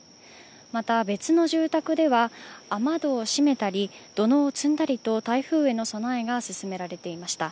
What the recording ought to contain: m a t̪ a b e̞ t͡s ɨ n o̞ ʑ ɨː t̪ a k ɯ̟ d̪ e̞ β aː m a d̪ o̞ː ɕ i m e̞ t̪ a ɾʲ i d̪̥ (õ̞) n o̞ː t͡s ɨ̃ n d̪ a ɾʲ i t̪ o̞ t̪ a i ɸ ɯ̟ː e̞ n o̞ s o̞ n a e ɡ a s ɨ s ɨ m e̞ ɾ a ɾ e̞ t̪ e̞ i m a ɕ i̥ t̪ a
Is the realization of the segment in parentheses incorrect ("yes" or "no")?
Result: yes